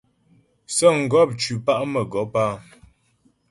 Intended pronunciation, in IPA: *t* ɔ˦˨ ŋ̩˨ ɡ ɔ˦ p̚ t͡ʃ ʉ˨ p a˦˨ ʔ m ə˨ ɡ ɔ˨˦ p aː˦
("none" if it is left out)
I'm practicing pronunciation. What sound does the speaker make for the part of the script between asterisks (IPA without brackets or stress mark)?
s